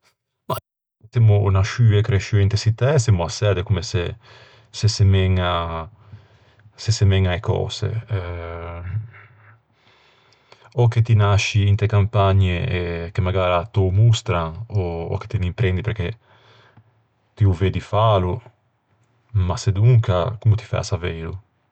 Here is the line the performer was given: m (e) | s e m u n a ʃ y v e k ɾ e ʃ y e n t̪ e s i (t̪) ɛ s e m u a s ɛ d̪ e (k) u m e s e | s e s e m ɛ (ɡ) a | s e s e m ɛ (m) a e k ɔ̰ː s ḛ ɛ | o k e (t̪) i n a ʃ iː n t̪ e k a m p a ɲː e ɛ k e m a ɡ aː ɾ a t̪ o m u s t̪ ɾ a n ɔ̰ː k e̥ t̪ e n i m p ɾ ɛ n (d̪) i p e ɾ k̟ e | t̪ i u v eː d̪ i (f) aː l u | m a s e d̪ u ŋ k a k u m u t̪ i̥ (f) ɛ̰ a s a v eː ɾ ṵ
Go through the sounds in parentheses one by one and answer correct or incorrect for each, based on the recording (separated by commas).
incorrect, correct, correct, incorrect, incorrect, correct, correct, correct, correct